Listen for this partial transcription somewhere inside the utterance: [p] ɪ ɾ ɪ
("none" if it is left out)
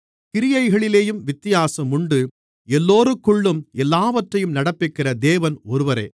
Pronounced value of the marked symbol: k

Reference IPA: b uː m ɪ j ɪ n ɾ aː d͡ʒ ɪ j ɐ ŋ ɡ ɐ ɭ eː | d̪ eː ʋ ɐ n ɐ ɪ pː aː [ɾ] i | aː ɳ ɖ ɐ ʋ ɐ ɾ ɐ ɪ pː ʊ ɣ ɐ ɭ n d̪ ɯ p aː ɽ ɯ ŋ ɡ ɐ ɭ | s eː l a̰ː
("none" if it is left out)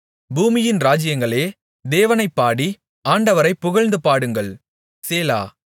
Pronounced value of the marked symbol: ɽ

